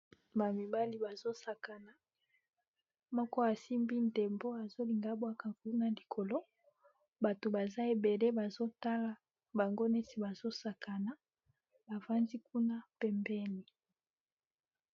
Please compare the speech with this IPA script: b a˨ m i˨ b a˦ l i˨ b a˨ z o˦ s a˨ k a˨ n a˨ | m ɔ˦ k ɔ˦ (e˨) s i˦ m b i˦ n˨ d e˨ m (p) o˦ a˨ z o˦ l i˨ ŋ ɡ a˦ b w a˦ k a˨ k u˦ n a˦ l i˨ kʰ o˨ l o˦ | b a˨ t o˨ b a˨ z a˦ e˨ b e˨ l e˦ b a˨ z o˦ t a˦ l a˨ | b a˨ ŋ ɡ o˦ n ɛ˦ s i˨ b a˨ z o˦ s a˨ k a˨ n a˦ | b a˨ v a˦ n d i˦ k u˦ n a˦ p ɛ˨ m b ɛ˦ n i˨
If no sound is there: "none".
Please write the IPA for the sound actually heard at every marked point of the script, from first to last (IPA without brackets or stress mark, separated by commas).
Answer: a˨, b